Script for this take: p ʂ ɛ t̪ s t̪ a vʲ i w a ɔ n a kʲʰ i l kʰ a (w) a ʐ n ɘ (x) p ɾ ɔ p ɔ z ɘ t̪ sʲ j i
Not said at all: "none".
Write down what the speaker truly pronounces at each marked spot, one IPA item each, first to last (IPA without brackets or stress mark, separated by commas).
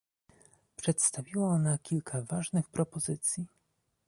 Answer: v, x